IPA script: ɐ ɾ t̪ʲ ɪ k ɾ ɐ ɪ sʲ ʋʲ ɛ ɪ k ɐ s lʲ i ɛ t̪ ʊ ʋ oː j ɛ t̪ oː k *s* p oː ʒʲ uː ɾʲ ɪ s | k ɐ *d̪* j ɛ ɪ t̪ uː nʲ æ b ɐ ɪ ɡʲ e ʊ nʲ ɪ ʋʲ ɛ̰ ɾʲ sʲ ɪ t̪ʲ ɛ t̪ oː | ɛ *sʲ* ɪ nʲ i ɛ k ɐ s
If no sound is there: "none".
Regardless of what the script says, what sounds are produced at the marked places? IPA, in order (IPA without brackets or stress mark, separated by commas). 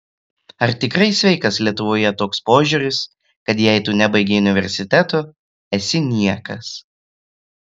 s, t̪, sʲ